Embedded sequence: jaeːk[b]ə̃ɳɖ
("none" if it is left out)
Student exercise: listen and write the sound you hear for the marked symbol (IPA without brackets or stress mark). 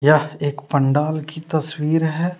p